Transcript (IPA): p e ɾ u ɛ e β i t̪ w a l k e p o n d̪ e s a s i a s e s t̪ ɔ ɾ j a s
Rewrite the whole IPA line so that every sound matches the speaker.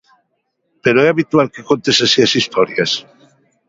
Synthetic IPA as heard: p e ɾ o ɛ a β i t̪ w a l k e k o n t̪ e s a s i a s i s t̪ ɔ ɾ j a s